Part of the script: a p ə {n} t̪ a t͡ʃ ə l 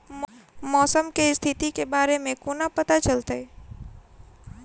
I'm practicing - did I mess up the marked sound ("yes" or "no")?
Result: yes